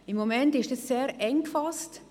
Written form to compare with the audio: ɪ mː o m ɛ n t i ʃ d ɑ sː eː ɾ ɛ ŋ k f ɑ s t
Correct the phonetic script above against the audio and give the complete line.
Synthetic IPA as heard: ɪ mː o m ɛ n t ɪ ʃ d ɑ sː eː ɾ ɛ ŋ k f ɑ s t